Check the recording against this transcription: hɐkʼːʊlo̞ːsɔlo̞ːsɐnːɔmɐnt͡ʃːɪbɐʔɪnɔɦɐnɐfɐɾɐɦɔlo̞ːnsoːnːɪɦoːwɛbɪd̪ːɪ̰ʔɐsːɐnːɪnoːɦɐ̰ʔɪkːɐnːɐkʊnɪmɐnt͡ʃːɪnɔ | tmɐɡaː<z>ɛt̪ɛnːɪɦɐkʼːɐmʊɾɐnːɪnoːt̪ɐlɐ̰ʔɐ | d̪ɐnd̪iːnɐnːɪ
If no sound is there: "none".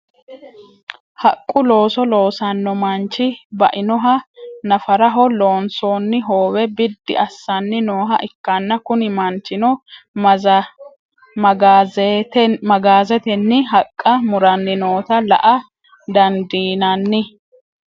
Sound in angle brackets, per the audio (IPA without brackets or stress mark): z